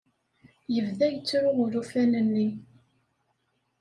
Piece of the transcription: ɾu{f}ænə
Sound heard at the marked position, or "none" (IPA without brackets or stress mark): f